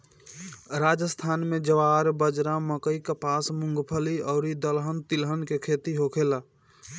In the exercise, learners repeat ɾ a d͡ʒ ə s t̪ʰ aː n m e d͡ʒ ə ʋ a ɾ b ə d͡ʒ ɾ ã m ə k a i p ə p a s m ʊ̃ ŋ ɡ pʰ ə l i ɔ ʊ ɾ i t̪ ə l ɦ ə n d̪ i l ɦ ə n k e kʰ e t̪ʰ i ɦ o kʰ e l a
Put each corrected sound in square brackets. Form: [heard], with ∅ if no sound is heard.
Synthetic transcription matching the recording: ɾ a d͡ʒ ə s t̪ʰ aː n m e d͡ʒ ə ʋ a ɾ b ə d͡ʒ ɾ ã m ə k [ə] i [k] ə p a s m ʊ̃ ŋ ɡ pʰ ə l i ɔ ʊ ɾ i [d̪] ə l ɦ ə n [t̪] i l ɦ ə n k e kʰ e [t̪] i ɦ o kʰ e l a